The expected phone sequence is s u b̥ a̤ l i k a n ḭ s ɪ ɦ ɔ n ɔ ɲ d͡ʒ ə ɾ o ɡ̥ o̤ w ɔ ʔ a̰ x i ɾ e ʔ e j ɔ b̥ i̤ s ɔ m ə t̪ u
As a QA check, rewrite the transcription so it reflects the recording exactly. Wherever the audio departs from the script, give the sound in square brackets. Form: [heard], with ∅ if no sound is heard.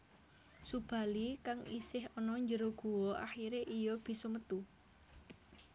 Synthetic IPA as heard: s u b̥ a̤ l i k a [ŋ] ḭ s ɪ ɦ ɔ n ɔ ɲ d͡ʒ ə ɾ o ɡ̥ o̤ w ɔ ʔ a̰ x i ɾ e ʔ [i] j ɔ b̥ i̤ s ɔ m ə t̪ u